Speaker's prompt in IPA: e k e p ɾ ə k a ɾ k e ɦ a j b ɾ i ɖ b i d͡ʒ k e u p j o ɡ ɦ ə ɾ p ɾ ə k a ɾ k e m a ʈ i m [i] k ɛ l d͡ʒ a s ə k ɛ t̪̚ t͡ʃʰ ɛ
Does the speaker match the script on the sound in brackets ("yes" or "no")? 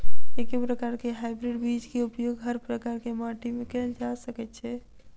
no